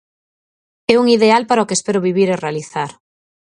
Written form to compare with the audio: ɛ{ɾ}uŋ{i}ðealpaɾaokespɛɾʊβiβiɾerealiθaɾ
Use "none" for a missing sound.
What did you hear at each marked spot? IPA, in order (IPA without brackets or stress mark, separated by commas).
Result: none, i